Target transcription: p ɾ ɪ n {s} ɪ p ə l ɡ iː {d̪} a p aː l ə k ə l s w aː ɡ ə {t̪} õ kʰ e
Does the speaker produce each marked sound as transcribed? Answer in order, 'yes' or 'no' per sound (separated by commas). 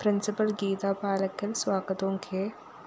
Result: yes, no, yes